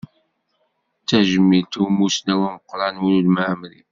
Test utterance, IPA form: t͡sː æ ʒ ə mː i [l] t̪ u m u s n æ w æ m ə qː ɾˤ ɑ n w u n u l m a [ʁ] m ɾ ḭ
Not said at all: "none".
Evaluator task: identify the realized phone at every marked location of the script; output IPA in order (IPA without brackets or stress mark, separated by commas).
l, ʕ